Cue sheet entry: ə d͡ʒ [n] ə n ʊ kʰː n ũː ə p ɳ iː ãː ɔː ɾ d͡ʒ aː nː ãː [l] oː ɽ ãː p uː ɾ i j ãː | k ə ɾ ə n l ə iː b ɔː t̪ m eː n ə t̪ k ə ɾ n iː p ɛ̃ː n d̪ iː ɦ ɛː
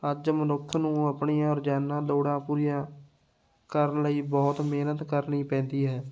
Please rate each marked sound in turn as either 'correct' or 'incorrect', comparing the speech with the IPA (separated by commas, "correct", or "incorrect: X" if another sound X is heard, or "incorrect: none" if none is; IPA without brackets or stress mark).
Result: incorrect: m, correct